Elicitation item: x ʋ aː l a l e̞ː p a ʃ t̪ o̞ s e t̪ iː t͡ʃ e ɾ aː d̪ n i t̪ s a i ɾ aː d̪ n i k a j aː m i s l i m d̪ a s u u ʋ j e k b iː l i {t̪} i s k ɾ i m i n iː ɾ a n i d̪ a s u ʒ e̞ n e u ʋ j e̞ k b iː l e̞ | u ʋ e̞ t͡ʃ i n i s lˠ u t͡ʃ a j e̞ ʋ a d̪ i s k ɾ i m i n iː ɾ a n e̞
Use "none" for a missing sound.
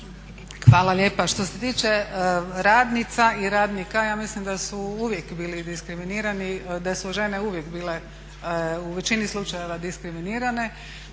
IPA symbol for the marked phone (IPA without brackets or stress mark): d̪